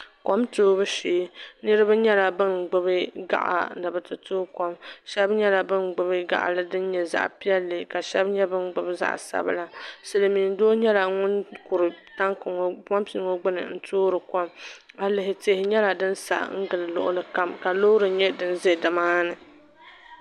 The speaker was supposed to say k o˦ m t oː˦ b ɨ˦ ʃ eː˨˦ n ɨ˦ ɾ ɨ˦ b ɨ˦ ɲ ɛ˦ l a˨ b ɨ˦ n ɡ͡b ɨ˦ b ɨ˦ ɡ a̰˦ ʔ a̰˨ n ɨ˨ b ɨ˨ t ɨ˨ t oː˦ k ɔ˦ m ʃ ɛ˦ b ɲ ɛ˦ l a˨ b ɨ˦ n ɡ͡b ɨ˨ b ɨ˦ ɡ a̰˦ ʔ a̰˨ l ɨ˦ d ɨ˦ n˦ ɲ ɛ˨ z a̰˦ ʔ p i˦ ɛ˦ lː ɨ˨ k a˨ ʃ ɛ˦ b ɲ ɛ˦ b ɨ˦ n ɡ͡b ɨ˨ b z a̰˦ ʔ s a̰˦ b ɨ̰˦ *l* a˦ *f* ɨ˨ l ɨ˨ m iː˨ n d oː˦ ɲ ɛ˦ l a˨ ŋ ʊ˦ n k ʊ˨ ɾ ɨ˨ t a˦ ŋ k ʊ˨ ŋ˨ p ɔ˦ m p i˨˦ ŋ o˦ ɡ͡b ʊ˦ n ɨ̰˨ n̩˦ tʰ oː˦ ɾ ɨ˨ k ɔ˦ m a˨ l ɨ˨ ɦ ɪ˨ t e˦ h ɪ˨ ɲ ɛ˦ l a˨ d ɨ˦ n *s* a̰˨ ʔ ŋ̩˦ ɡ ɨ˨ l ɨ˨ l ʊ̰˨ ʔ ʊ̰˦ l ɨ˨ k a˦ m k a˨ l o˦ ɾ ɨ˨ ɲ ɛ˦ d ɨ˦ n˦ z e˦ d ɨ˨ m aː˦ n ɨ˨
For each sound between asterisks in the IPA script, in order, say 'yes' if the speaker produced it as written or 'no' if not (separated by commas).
yes, no, yes